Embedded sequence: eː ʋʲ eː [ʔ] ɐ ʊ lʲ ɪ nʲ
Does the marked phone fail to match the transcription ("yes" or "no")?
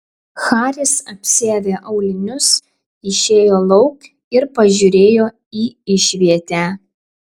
no